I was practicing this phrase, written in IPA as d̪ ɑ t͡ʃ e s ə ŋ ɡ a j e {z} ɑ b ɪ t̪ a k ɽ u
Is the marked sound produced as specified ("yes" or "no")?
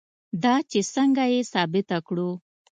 no